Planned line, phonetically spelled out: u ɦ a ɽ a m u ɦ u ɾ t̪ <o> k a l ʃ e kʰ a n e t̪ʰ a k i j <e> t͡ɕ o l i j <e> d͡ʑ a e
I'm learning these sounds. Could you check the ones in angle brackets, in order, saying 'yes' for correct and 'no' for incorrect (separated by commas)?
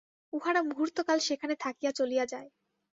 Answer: yes, no, no